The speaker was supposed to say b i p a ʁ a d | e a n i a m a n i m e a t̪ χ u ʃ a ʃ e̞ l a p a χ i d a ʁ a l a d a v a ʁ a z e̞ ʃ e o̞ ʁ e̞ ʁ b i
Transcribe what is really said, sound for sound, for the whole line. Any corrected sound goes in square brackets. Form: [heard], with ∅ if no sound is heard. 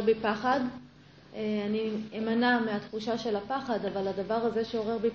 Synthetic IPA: b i p a [χ] a d | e a n i [e] m a n [a] m e a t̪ χ u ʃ a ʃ e̞ l a p a χ [a] d a [v] a l a d a v a ʁ a z e̞ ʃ e o̞ ʁ e̞ ʁ b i